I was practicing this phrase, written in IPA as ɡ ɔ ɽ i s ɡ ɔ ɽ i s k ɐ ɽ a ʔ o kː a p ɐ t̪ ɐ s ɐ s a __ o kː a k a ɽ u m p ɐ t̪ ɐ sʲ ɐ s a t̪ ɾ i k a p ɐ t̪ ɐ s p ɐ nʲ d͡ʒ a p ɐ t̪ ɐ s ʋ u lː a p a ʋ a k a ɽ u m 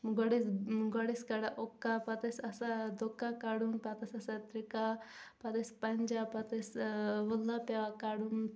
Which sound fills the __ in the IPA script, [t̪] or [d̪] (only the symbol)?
d̪